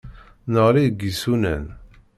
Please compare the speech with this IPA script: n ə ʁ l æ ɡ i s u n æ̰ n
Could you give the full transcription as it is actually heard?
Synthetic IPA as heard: n ə ʁ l i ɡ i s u n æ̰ n